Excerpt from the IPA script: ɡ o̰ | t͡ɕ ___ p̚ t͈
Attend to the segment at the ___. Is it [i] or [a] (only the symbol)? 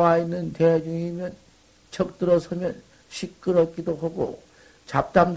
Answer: a